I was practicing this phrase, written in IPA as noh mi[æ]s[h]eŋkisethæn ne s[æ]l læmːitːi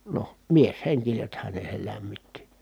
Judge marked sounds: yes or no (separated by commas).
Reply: no, yes, no